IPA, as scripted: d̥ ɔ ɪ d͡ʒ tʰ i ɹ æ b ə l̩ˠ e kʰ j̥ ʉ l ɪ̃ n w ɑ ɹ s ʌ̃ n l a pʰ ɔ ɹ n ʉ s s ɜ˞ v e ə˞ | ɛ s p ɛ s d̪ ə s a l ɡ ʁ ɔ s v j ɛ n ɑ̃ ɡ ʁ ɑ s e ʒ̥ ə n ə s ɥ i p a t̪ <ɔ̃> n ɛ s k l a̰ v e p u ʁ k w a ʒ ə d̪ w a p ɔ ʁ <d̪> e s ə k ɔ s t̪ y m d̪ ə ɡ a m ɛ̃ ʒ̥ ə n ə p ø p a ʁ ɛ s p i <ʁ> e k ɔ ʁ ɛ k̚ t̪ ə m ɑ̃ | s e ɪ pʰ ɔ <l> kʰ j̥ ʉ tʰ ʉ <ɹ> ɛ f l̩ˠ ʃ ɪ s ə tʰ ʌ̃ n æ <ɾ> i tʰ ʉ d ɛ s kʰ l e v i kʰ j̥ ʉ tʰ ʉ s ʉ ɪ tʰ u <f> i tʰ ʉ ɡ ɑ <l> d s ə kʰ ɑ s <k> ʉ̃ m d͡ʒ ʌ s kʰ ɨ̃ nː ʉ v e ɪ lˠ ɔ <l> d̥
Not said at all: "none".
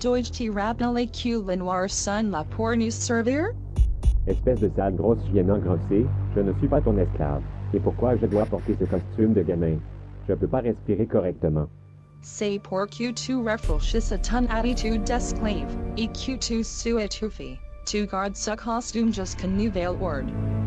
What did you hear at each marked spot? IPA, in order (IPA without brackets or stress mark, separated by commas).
ɔ̃, t̪, ʁ, ɹ, ɹ, ɾ, f, ɹ, t, ɹ